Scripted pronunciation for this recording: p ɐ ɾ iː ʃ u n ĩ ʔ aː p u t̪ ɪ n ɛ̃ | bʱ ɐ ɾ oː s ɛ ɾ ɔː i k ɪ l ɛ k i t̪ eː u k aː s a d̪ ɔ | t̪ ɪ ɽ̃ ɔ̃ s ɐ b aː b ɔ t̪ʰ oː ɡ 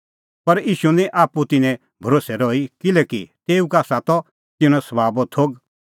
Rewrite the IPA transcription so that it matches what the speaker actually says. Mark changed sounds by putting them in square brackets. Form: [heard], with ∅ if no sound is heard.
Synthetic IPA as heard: p ɐ ɾ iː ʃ u n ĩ ʔ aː p u t̪ ɪ n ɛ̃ | bʱ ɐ ɾ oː s ɛ ɾ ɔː i k ɪ l ɛ k i t̪ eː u k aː s a [t̪] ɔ | t̪ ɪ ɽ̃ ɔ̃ s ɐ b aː b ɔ t̪ʰ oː ɡ